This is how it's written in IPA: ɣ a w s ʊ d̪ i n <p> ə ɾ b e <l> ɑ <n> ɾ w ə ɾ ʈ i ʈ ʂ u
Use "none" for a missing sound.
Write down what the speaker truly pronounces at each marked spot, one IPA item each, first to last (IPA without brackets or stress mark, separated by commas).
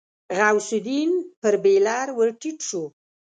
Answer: p, l, none